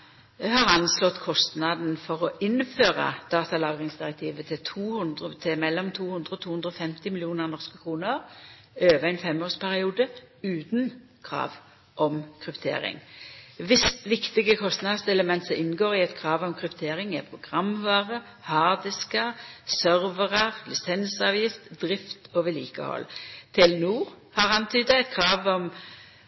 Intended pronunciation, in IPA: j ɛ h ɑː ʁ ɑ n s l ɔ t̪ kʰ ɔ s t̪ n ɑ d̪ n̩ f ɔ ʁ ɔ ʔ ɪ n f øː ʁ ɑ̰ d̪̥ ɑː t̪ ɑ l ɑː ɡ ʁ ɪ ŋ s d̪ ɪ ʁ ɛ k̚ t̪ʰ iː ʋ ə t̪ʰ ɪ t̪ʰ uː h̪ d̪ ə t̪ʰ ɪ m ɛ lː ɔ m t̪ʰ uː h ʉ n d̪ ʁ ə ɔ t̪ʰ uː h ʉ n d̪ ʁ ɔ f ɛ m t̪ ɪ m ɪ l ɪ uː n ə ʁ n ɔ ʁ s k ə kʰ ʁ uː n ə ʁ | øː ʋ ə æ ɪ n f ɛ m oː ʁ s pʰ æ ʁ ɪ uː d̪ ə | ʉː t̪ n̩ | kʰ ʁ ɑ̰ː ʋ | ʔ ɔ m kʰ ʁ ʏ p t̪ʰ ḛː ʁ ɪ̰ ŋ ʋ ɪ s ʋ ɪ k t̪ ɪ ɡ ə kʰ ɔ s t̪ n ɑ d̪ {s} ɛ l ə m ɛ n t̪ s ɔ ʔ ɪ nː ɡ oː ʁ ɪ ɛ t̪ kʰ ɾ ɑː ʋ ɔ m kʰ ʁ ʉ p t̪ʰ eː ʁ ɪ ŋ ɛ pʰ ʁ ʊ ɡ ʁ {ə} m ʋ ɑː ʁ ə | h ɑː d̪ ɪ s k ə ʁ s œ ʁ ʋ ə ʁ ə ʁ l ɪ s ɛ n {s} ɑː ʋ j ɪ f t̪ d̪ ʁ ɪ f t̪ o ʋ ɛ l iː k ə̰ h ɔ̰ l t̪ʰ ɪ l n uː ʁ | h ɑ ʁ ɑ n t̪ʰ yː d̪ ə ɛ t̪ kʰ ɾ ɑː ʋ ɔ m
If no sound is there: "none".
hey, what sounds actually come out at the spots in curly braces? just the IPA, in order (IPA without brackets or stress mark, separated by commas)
s, ɑ, s